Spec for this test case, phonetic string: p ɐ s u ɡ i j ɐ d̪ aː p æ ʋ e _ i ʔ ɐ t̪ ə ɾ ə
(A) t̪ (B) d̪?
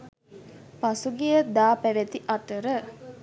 A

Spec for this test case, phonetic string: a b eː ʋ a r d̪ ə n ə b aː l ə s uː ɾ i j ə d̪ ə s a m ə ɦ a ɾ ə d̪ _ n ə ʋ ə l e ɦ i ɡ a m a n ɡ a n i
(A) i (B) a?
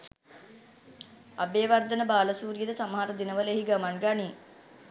A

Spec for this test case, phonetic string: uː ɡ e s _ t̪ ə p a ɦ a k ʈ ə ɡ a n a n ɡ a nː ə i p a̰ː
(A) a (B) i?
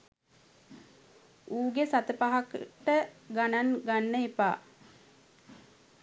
A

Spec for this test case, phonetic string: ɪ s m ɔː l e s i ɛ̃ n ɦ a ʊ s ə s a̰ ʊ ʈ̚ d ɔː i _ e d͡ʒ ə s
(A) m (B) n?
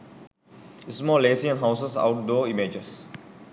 A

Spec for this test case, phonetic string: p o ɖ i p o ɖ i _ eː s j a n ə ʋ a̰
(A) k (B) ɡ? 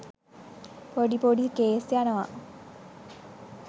A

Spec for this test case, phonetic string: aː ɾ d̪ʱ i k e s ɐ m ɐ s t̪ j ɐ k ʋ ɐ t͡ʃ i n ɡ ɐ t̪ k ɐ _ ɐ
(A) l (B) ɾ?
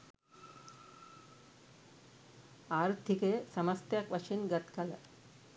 A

